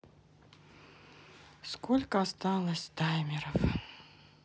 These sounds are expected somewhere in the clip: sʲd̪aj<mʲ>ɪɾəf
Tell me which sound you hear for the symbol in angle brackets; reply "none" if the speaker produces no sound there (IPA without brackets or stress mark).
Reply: mʲ